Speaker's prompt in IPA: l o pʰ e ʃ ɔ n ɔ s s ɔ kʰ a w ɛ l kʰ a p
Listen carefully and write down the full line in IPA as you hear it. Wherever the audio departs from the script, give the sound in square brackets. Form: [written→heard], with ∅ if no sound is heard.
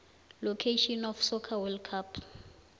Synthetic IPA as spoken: l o [pʰ→kʰ] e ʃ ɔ n ɔ [s→f] s ɔ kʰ a w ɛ l kʰ a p